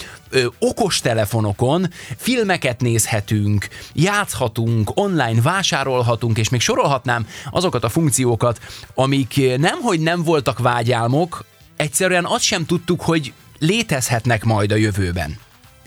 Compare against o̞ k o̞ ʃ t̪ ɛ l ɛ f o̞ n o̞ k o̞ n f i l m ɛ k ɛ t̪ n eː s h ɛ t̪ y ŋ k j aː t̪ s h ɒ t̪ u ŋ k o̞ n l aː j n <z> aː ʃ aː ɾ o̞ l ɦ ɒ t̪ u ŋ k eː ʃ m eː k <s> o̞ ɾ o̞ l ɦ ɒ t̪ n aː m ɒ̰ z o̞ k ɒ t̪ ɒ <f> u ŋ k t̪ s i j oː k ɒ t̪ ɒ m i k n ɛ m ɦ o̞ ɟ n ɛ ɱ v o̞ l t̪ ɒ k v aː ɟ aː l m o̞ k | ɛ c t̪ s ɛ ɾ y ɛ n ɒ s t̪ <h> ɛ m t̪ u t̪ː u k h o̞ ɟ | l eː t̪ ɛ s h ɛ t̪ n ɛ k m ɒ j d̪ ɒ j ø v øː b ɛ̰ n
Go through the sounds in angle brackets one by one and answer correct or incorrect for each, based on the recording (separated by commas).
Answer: incorrect, incorrect, correct, incorrect